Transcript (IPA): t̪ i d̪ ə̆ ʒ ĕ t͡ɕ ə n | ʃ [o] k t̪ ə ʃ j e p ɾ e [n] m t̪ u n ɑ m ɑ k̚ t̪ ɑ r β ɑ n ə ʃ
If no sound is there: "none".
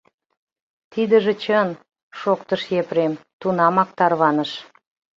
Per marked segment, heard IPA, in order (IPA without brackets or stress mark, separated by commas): o, none